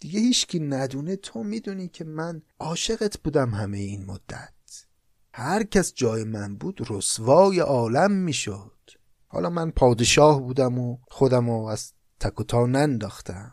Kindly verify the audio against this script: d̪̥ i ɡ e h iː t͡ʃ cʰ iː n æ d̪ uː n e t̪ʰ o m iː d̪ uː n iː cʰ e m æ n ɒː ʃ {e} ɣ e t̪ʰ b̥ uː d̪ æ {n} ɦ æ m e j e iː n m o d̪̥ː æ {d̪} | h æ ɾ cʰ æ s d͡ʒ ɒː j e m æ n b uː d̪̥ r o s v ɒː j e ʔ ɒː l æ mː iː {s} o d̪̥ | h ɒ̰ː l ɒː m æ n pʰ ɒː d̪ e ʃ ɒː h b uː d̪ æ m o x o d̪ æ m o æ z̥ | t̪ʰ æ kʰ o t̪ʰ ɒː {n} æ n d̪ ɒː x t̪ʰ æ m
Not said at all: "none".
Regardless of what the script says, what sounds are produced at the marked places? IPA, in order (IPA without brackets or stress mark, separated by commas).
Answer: e, m, t̪, ʃ, n